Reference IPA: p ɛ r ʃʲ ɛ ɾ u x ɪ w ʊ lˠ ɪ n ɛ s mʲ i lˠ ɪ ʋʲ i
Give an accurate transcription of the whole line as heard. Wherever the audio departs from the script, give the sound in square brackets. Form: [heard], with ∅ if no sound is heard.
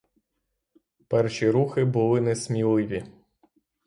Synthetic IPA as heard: p ɛ r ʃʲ [i] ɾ u x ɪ [b] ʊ lˠ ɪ n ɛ s mʲ i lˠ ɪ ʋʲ i